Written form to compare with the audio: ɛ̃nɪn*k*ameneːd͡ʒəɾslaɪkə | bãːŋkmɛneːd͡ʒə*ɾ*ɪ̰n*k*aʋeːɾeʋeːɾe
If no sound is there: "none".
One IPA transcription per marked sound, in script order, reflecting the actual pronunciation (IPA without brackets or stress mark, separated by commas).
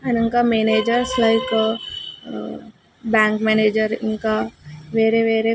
k, ɾ, k